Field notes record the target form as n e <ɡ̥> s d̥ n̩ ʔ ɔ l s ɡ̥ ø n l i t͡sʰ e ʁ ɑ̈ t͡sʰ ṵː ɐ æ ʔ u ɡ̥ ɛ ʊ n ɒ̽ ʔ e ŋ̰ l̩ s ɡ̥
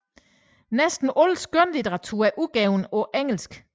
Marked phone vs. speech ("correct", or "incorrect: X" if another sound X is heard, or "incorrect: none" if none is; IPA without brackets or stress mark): incorrect: none